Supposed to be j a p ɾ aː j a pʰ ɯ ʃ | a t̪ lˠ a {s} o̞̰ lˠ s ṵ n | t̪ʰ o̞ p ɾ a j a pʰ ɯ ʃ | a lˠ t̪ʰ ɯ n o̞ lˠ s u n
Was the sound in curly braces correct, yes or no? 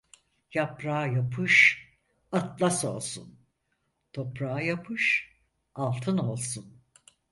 yes